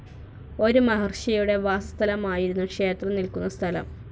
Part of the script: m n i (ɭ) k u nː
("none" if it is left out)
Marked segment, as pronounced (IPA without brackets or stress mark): l